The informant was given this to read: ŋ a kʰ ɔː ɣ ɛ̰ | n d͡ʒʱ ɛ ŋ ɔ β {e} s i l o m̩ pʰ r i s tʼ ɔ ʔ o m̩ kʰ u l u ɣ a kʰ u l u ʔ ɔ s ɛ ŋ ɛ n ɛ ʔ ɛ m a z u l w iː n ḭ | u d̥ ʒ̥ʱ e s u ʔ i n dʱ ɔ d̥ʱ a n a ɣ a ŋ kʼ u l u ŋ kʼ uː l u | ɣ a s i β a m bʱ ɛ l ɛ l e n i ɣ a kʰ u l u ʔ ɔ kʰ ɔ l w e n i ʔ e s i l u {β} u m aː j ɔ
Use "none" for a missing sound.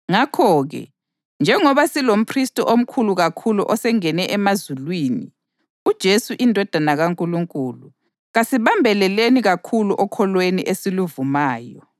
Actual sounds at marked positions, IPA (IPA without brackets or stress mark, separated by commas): a, v